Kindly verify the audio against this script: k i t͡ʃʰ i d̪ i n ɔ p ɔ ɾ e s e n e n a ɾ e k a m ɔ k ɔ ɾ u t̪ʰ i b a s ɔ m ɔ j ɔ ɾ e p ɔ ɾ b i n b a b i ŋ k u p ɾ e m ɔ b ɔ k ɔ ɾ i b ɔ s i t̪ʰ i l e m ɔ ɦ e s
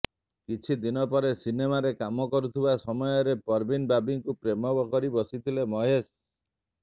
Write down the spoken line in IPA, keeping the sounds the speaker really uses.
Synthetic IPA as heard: k i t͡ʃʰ i d̪ i n ɔ p ɔ ɾ e s i n e m a ɾ e k a m ɔ k ɔ ɾ u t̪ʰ i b a s ɔ m ɔ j ɔ ɾ e p ɔ ɾ b i n b a b i ŋ k u p ɾ e m ɔ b ɔ k ɔ ɾ i b ɔ s i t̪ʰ i l e m ɔ ɦ e s